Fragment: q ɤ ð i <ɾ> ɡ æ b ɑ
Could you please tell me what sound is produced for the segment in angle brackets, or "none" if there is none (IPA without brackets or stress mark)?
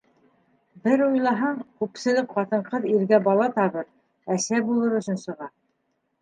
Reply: ɾ